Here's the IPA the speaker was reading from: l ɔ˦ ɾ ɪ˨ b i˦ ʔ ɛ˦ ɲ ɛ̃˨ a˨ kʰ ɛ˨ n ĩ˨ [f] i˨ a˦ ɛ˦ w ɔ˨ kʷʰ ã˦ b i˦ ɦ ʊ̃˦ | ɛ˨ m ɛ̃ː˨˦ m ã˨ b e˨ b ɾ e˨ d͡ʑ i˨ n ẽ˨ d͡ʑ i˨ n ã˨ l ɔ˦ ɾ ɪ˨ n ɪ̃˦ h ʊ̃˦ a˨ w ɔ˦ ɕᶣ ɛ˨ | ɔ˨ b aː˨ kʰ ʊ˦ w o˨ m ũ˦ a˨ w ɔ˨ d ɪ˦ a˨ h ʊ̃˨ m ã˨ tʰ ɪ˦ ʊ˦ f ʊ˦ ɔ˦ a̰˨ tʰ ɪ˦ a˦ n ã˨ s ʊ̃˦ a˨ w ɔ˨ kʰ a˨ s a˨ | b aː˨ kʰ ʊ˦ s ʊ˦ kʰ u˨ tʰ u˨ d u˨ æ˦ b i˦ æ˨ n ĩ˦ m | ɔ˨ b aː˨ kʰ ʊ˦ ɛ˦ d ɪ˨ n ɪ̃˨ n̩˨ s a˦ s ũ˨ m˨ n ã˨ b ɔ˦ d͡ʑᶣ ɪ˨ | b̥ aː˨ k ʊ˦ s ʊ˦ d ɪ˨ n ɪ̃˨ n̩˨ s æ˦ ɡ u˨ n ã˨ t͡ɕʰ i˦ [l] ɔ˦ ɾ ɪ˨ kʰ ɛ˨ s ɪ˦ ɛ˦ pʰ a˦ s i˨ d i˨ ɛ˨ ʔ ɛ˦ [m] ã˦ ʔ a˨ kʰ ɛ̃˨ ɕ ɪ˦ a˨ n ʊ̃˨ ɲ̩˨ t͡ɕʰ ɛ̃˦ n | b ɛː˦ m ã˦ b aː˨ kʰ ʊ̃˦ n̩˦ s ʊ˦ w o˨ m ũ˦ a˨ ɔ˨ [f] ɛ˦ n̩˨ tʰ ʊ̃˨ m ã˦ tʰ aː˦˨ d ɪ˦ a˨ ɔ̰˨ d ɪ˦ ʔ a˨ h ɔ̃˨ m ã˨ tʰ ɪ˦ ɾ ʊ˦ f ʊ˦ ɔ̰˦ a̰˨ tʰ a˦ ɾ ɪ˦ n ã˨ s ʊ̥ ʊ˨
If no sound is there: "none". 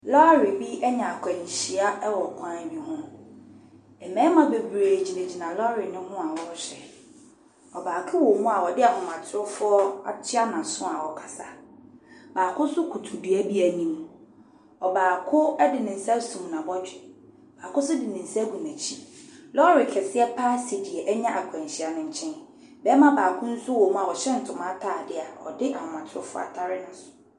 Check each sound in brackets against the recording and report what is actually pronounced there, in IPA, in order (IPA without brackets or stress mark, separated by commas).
ɕ, l, ɲ, ɕ